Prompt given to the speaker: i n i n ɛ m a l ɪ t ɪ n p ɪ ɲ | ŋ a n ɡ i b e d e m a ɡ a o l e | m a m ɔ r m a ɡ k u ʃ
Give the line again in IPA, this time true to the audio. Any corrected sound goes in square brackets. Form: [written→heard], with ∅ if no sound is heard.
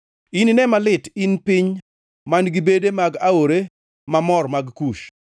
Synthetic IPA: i n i n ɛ m a l ɪ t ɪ n p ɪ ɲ | [ŋ→m] a n ɡ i b e d e m a ɡ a o [l→ɾ] e | m a m ɔ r m a ɡ k u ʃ